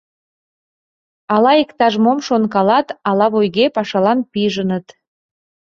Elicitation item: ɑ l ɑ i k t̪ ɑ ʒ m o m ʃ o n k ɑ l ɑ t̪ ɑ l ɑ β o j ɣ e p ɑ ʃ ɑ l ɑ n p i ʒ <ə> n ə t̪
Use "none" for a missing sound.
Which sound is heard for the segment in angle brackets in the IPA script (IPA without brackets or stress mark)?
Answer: ə